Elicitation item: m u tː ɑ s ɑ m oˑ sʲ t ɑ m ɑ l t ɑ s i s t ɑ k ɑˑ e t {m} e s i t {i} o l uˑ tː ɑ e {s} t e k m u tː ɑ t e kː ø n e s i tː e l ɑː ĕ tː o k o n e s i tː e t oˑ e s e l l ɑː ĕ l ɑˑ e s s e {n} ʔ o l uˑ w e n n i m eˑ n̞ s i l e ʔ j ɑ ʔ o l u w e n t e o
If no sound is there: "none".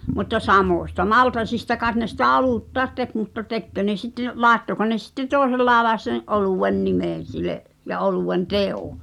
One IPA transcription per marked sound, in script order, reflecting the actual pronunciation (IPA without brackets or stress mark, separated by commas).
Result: n, æ, t, n